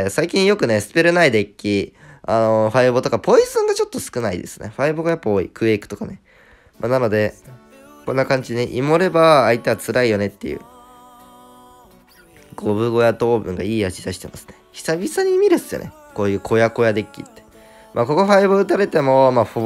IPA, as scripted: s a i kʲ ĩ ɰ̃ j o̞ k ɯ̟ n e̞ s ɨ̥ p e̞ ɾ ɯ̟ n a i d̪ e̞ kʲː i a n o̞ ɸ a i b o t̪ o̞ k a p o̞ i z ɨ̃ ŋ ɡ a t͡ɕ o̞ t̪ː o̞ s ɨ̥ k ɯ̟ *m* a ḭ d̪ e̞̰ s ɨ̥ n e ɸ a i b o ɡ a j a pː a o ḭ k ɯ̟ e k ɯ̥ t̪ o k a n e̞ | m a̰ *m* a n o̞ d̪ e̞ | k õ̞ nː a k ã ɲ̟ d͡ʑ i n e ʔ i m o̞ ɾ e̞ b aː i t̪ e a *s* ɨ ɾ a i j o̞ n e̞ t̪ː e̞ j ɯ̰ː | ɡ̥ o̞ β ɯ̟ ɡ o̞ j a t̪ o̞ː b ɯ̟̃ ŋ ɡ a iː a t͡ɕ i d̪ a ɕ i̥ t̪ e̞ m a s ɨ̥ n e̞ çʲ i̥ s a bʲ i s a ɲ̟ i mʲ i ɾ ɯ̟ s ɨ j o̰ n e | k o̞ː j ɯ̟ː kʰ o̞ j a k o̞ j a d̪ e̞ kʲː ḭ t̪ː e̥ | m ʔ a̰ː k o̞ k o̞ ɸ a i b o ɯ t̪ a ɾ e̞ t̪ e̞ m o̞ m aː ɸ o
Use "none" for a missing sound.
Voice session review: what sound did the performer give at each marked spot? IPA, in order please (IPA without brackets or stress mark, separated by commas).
n, n, t͡s